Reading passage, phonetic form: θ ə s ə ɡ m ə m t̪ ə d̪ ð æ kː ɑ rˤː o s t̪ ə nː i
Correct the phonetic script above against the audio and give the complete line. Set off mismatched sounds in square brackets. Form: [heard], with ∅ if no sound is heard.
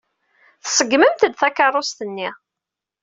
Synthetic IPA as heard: θ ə s ə ɡ m ə m t̪ ə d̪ [θ] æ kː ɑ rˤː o s t̪ ə nː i